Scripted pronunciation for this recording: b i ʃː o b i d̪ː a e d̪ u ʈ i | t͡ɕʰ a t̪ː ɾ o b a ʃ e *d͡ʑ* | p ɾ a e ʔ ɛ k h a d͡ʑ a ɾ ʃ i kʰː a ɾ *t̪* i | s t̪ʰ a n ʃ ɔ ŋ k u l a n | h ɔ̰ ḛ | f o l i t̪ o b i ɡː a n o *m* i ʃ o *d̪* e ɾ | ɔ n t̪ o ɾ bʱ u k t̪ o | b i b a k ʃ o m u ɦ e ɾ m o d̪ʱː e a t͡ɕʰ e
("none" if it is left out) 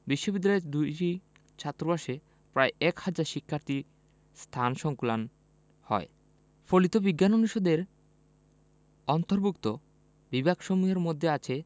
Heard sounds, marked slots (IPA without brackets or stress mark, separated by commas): none, t̪, n, d̪